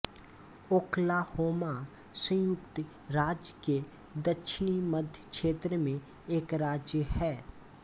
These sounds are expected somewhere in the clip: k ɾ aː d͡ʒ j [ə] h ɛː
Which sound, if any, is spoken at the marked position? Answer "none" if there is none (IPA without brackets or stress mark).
ə